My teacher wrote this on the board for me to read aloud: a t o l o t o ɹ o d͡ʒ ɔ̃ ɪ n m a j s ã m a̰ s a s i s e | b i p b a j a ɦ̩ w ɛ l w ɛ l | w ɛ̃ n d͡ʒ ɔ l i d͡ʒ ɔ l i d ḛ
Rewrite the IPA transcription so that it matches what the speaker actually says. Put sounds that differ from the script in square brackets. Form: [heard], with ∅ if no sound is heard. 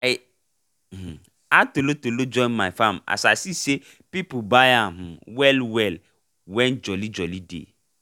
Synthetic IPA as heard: a t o l o t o [l] o d͡ʒ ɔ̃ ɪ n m a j [f] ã m a̰ s a s i s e | [p] i p b a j a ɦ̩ w ɛ l w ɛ l | w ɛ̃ n d͡ʒ ɔ l i d͡ʒ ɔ l i d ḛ